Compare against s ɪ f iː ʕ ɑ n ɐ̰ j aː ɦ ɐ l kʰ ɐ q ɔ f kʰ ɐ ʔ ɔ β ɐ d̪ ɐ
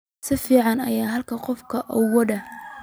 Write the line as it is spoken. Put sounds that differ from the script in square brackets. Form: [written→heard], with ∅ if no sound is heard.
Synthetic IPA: s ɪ f iː ʕ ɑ n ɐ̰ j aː ɦ ɐ l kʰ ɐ q ɔ f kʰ ɐ ʔ ɔ [β→w] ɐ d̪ ɐ